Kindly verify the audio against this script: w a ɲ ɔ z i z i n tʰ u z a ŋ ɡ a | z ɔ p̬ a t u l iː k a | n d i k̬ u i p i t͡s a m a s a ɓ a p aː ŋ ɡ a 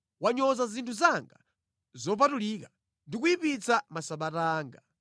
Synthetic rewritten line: w a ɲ ɔ z a z i n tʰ u z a ŋ ɡ a | z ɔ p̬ a t u l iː k a | n d i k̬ u i p i t͡s a m a s a ɓ a t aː ŋ ɡ a